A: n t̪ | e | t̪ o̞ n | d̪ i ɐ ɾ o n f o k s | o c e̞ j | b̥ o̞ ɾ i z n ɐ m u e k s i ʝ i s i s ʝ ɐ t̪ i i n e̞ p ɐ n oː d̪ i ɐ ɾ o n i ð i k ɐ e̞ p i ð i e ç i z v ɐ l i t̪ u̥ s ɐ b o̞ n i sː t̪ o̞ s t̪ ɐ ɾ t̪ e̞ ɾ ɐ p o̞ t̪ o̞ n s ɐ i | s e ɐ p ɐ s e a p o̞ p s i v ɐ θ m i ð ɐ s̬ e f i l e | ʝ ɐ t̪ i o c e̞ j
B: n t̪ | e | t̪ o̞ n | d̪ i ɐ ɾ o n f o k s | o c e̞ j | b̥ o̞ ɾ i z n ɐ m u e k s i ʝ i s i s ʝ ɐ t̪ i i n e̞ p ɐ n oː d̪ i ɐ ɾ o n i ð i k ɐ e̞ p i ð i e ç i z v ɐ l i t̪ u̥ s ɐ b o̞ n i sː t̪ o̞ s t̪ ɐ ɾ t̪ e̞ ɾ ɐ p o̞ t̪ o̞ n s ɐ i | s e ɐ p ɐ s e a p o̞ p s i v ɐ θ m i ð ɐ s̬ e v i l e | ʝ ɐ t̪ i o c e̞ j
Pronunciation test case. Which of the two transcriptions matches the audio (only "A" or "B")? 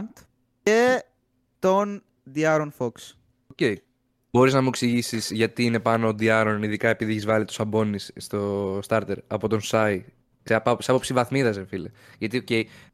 A